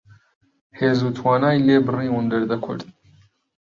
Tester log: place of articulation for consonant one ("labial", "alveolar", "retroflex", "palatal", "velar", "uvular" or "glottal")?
glottal